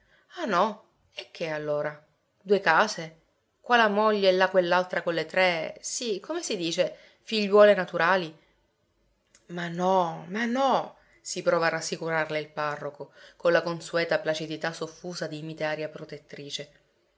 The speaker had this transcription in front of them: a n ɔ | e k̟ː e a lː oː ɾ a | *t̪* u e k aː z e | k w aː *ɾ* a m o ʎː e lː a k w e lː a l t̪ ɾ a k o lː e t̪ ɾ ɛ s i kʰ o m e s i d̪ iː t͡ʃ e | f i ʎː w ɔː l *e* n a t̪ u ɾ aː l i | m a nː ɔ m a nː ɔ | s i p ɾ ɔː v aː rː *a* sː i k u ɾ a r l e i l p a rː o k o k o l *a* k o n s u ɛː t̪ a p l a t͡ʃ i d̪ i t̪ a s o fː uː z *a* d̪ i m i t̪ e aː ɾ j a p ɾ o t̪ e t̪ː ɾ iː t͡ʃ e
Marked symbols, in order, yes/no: no, no, yes, yes, yes, yes

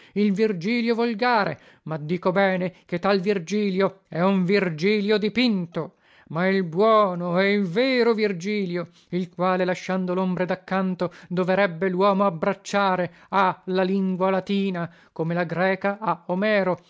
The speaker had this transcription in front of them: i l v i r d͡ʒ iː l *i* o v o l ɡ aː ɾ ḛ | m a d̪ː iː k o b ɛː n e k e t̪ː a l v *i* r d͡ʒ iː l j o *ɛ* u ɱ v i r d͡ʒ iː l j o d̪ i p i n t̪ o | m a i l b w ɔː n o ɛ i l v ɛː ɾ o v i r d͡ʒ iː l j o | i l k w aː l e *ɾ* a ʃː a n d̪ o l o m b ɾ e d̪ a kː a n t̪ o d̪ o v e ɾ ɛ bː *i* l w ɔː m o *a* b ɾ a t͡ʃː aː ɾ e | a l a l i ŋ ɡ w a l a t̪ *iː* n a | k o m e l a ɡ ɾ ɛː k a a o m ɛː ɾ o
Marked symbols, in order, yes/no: no, yes, yes, no, no, yes, yes

